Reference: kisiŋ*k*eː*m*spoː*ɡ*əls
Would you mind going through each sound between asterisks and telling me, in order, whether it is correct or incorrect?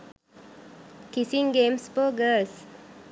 incorrect, correct, correct

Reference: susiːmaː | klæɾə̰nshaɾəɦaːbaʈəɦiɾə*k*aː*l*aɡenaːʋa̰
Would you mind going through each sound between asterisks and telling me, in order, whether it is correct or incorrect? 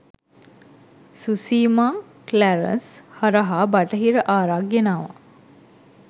incorrect, incorrect

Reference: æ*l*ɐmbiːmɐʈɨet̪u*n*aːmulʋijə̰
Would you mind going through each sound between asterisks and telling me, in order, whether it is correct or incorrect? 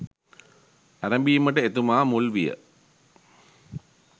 incorrect, incorrect

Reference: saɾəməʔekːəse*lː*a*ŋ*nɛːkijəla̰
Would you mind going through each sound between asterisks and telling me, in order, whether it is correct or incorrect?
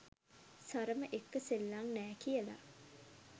correct, correct

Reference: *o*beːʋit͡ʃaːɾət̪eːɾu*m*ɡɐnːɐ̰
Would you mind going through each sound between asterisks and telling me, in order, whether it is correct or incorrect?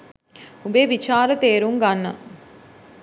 incorrect, incorrect

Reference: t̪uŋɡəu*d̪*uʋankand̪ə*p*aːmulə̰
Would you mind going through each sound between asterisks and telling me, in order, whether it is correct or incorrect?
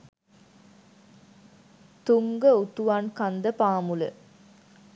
incorrect, correct

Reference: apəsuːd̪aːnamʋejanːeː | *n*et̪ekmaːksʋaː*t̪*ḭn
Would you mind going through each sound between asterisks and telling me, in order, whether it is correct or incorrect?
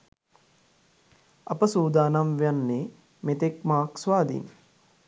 incorrect, incorrect

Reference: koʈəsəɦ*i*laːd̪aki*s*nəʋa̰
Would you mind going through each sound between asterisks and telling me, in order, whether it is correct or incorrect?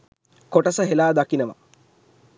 incorrect, incorrect

